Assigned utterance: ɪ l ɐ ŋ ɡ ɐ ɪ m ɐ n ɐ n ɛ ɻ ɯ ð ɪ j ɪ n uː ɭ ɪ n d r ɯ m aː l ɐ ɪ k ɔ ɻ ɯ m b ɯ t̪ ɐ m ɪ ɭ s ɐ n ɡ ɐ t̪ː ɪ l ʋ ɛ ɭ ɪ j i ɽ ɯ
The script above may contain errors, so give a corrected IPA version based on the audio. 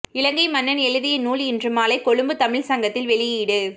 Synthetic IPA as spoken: ɪ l ɐ ŋ ɡ ɐ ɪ m ɐ nː ɐ n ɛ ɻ ɯ ð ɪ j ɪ n uː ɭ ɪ n d r ɯ m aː l ɐ ɪ k ɔ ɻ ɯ m b ɯ t̪ ɐ m ɪ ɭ s ɐ ŋ ɡ ɐ t̪ː ɪ l ʋ ɛ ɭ ɪ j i ɽ ɯ

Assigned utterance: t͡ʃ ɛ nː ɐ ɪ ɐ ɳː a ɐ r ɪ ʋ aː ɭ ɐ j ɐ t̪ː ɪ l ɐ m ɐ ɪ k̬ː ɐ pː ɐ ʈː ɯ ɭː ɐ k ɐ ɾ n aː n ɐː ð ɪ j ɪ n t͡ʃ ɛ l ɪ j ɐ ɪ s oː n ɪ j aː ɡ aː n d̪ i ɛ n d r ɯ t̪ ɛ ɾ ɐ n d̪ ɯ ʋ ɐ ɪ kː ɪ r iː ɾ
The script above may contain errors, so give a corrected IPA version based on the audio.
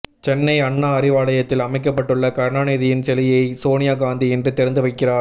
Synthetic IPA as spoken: t͡ʃ ɛ nː ɐ ɪ ɐ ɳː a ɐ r ɪ ʋ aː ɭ ɐ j ɐ t̪ː ɪ l ɐ m ɐ ɪ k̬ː ɐ pː ɐ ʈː ɯ ɭː ɐ k ɐ ɾ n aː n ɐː ð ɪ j ɪ n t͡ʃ ɛ l ɪ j ɐ ɪ s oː n ɪ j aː ɡ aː n d̪ i ɛ n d r ɯ t̪ ɛ ɾ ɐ n d̪ ɯ ʋ ɐ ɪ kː ɪ r aː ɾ

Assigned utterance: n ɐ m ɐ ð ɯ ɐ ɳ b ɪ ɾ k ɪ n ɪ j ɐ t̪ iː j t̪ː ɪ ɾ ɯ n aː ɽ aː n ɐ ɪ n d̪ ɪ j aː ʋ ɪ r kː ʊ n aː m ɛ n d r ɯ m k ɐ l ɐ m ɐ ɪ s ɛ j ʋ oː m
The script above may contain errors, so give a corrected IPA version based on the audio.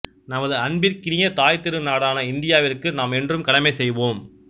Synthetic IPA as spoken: n ɐ m ɐ ð ɯ ɐ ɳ b ɪ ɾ k ɪ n ɪ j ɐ t̪ aː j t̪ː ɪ ɾ ɯ n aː ɽ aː n ɐ ɪ n d̪ ɪ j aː ʋ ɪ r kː ɯ n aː m ɛ n d r ɯ m k ɐ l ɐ m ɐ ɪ s ɛ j ʋ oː m

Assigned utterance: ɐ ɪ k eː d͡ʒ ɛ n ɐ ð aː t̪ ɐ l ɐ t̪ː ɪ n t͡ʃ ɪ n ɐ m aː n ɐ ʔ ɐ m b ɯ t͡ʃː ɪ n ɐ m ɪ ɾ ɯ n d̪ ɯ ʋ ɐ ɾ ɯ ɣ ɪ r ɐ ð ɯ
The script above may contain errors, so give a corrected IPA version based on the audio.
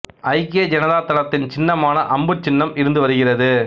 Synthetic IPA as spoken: ɐ ɪ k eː d͡ʒ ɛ n ɐ ð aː t̪ ɐ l ɐ t̪ː ɪ n t͡ʃ ɪ nː ɐ m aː n ɐ ʔ ɐ m b ɯ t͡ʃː ɪ nː ɐ m ɪ ɾ ɯ n d̪ ɯ ʋ ɐ ɾ ɯ ɣ ɪ r ɐ ð ɯ

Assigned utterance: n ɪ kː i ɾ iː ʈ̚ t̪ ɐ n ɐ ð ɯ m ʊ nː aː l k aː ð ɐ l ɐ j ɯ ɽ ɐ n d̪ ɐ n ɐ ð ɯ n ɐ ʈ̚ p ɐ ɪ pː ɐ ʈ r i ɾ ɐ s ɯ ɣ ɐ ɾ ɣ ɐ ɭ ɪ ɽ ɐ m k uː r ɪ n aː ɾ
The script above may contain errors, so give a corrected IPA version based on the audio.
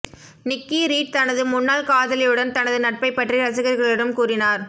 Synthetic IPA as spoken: n ɪ kː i ɾ iː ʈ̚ t̪ ɐ n ɐ ð ɯ m ʊ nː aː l k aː ð ɐ l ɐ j ɯ ɽ ɐ n t̪ ɐ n ɐ ð ɯ n ɐ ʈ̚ p ɐ ɪ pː ɐ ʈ r i ɾ ɐ s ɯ ɣ ɐ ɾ ɣ ɐ ɭ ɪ ɽ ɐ m k uː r ɪ n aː ɾ

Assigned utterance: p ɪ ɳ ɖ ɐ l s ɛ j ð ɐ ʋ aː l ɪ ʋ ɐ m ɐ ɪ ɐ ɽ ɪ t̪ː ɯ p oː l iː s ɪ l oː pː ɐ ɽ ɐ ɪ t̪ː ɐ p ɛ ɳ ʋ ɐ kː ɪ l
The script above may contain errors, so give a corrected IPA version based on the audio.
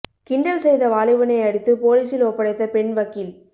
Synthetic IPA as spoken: k ɪ ɳ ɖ ɐ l s ɛ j ð ɐ ʋ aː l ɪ ʋ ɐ n ɐ ɪ ɐ ɽ ɪ t̪ː ɯ p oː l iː s ɪ l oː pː ɐ ɽ ɐ ɪ t̪ː ɐ p ɛ ɳ ʋ ɐ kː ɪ l

